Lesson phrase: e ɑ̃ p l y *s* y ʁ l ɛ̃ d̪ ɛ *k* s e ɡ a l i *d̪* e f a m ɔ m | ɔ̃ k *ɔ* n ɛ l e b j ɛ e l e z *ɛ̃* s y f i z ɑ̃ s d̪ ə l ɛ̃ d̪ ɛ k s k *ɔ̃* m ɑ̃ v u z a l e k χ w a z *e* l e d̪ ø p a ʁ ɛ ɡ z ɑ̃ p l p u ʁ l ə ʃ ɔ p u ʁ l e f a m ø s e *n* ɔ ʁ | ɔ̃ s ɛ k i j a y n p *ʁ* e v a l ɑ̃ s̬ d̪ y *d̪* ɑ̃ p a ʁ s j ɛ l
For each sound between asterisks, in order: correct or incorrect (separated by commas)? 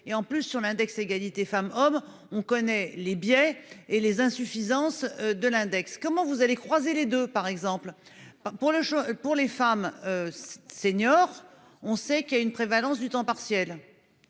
incorrect, correct, incorrect, correct, correct, incorrect, correct, incorrect, incorrect, incorrect